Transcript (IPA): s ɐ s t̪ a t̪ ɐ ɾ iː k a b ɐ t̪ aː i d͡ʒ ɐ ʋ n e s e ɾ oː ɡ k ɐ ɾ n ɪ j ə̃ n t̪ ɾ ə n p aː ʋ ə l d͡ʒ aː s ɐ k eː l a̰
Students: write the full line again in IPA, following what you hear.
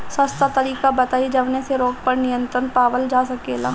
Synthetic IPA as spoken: s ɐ s t̪ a t̪ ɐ ɾ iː k a b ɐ t̪ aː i d͡ʒ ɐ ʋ n e s e ɾ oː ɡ p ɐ ɾ n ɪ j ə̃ n t̪ ɾ ə n p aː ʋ ə l d͡ʒ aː s ɐ k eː l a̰